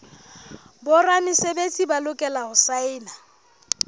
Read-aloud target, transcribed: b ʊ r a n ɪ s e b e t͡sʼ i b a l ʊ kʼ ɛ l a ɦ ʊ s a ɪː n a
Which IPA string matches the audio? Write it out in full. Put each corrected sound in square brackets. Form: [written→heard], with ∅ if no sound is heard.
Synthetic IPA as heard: b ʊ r a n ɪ s e b e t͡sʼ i b a l ʊ kʼ ɛ l a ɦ ʊ s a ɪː n a